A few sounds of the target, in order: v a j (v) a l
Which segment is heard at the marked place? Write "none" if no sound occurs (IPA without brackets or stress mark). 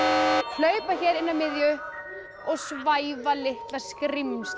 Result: v